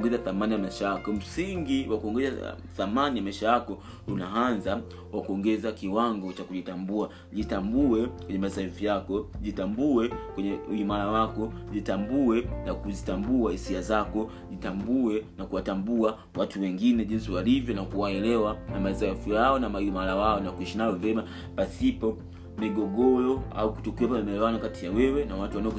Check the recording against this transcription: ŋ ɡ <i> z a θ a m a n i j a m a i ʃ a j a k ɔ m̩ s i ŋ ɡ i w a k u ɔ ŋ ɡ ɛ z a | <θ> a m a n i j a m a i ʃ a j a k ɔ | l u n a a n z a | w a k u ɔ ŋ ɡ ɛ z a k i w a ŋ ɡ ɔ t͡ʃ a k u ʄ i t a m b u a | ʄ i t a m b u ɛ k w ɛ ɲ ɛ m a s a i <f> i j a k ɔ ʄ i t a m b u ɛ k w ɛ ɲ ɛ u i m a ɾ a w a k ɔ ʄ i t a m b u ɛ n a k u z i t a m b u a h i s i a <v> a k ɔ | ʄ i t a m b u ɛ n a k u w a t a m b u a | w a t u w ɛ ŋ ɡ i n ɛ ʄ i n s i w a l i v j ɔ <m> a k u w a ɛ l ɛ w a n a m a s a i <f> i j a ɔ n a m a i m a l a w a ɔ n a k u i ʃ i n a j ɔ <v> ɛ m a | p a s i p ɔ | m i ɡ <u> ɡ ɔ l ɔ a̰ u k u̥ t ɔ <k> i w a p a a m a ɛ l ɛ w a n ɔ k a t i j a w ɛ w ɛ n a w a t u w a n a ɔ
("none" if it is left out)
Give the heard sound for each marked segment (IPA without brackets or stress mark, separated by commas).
ɛ, θ, f, z, n, f, v, ɔ, k